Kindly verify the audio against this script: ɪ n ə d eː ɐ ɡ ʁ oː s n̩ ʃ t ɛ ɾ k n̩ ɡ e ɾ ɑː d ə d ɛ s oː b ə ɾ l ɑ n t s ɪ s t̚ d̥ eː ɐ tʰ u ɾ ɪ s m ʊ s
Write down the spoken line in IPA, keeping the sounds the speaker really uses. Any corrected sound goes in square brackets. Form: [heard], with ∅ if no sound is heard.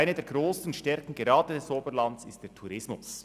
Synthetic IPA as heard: ɪ n ə d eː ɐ ɡ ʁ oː s n̩ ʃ t ɛ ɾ k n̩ ɡ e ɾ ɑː d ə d ɛ s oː b ə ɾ l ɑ n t s ɪ s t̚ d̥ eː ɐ tʰ u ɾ ɪ s m ʊ s